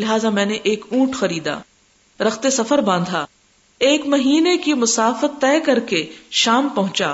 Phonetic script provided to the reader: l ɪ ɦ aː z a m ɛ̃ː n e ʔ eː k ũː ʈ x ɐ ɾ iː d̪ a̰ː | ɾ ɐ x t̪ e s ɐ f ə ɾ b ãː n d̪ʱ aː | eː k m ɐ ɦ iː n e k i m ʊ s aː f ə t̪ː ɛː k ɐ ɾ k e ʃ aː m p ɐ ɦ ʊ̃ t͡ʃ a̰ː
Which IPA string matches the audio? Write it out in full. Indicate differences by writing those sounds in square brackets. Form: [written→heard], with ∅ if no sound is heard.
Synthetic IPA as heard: l ɪ ɦ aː z a m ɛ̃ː n e ʔ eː k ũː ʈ x ɐ ɾ iː d̪ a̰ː | ɾ ɐ x t̪ e s ɐ f ə ɾ b ãː n d̪ʱ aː | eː k m ɐ ɦ iː n e k i m ʊ s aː f ə t̪ː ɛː k ɐ ɾ k e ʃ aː m p ɐ ɦ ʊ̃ t͡ʃ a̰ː